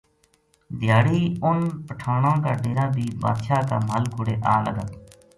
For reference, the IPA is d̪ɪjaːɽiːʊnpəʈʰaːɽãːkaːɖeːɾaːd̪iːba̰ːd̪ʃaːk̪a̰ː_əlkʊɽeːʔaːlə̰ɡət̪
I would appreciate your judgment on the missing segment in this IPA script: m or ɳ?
m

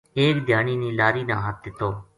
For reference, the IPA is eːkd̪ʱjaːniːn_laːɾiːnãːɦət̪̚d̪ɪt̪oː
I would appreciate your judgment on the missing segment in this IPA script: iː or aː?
iː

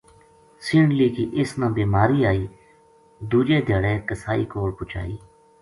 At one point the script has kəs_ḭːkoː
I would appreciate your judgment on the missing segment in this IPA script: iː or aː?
aː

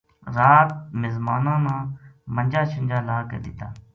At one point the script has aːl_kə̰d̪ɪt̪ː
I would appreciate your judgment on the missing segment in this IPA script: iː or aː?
aː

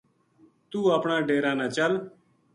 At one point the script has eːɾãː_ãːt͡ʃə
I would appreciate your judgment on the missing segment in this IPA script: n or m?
n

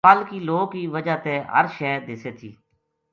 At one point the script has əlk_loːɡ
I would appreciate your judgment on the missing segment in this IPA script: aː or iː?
iː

